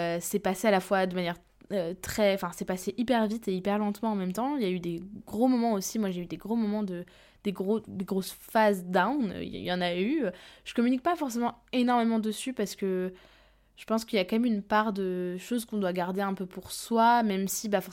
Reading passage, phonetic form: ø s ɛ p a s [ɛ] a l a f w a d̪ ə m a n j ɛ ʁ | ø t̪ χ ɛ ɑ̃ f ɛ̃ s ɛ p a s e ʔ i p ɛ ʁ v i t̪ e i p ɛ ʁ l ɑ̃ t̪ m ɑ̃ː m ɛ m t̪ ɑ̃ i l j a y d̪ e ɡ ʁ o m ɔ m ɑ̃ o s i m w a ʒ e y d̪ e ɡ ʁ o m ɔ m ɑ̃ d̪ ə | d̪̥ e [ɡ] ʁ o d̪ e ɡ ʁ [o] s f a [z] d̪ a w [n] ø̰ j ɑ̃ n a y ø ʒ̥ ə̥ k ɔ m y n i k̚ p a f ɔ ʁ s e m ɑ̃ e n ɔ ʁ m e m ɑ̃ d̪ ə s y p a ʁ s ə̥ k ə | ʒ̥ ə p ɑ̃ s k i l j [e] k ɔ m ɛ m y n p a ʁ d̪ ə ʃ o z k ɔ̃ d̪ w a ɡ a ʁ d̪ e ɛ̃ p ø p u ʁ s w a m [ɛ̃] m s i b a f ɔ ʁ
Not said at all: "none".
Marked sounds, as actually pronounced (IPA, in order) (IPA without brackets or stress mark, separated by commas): e, ɡ, o, z, n, a, ɛ